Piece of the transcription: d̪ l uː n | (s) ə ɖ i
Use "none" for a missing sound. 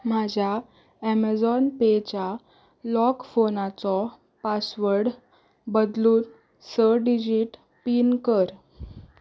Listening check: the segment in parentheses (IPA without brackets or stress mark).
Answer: s